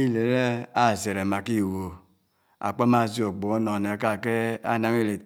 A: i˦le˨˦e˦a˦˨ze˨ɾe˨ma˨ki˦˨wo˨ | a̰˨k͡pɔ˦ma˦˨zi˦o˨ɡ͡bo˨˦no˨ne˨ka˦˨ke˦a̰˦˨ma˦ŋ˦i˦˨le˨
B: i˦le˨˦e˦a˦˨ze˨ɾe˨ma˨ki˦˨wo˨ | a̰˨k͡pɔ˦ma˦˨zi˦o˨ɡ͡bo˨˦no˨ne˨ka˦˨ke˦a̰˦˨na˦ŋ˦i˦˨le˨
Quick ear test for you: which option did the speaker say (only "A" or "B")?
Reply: B